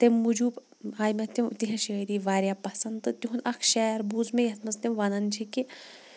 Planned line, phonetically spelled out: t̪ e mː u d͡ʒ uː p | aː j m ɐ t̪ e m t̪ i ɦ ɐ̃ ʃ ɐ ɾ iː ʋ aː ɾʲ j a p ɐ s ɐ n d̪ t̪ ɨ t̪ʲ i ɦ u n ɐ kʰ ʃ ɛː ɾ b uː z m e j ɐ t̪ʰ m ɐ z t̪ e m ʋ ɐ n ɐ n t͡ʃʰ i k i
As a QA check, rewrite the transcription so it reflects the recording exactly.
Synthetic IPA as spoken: t̪ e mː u d͡ʒ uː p | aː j m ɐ t̪ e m t̪ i ɦ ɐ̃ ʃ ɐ ɾ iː ʋ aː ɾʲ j a p ɐ s ɐ n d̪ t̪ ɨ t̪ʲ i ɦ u n ɐ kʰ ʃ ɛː ɾ b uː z m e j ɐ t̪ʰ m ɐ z t̪ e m ʋ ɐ n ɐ n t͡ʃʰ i k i